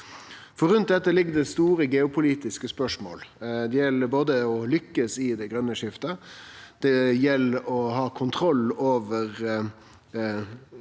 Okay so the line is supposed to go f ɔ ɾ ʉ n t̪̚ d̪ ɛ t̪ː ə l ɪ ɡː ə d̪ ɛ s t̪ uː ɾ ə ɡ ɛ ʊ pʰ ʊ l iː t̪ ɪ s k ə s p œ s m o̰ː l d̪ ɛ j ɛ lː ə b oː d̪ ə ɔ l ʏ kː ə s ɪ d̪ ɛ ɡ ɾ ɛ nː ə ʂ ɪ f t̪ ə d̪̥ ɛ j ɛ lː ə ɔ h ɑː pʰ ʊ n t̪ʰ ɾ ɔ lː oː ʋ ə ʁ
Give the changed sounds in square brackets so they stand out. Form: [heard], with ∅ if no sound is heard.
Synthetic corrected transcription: f ɔ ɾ ʉ n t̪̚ d̪ ɛ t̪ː ə l ɪ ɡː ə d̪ ɛ s t̪ uː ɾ ə ɡ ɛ ʊ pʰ ʊ l iː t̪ ɪ s k ə s p œ [ʂ] m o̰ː l d̪ ɛ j ɛ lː ə b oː d̪ ə ɔ l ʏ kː ə s ɪ d̪ ɛ ɡ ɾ [œ] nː ə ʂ ɪ f t̪ ə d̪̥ ɛ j ɛ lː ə ɔ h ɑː [kʰ] ʊ n t̪ʰ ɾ ɔ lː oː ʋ ə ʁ